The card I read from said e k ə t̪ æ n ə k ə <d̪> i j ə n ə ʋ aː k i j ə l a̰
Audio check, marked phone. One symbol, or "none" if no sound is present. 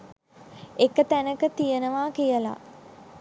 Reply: t̪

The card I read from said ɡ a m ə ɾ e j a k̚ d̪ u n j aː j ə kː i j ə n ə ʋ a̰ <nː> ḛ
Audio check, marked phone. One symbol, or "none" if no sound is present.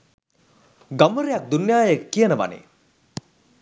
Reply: n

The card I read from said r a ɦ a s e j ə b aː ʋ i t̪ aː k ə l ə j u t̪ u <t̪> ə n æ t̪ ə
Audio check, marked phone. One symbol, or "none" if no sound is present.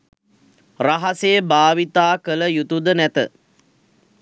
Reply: d̪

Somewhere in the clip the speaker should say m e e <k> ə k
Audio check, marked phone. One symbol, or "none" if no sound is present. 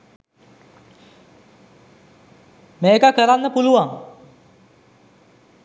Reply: k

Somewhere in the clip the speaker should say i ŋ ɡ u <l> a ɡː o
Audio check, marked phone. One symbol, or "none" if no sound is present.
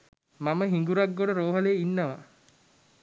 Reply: ɾ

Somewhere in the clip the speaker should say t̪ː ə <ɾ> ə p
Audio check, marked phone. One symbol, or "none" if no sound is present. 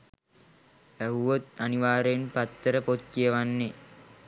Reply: ɾ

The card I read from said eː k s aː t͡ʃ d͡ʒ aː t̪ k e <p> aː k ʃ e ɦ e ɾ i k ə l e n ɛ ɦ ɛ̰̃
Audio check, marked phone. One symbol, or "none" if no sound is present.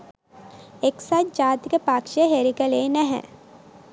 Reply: p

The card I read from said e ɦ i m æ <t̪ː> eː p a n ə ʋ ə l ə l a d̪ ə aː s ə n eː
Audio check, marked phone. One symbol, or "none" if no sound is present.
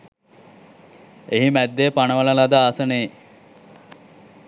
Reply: d̪ː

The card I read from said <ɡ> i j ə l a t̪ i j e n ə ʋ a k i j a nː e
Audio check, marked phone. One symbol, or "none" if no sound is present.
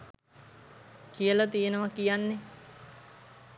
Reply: k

